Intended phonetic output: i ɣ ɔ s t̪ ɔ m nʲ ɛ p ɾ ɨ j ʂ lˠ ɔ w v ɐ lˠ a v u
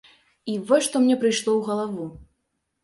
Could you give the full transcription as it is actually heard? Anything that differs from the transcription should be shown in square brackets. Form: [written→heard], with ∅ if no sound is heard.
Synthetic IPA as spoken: i [ɣ→v] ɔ [s→ʂ] t̪ ɔ m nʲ ɛ p ɾ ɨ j ʂ lˠ ɔ w [v→ɣ] ɐ lˠ a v u